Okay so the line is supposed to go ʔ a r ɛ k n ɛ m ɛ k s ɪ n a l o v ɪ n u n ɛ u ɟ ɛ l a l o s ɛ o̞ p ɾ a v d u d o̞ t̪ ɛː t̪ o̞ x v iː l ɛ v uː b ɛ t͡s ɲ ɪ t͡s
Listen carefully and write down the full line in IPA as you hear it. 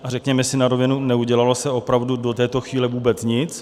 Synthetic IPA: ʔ a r ɛ k ɲ ɛ m ɛ s ɪ n a ɾ o v ɪ n u n ɛ u ɟ ɛ l a l o s ɛ o̞ p ɾ a v d u d o̞ t̪ ɛː t̪ o̞ x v iː l ɛ v uː b ɛ t͡s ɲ ɪ t͡s